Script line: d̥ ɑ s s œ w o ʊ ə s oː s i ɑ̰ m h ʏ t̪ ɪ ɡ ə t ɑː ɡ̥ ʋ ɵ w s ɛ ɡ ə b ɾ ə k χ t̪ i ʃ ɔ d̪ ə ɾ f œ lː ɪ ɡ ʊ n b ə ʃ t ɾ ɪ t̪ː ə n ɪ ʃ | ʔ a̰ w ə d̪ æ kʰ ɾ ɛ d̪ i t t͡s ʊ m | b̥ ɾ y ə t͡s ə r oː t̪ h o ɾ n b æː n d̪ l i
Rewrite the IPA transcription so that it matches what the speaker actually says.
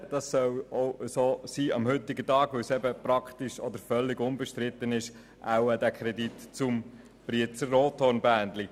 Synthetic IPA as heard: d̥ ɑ s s œ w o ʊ ə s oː s iː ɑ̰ m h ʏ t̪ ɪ ɡ ə t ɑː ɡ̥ ʋ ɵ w s ɛ b ə p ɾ ɑ k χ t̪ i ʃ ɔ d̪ ə ɾ f œ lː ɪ ɡ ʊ n b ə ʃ t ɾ ɪ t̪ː ə n ɪ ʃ | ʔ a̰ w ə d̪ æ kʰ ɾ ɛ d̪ i t t͡s ʊ m | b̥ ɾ i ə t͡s ə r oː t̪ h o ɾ n b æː n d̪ l i